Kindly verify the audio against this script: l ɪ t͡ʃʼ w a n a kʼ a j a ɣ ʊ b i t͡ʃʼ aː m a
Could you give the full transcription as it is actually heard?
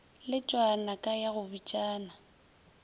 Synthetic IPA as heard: l ɪ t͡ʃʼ w a n a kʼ a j a ɣ ʊ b i t͡ʃʼ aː n a